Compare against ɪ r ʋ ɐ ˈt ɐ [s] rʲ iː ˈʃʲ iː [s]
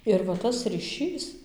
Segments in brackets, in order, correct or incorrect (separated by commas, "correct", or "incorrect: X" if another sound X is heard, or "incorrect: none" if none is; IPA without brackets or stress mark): correct, correct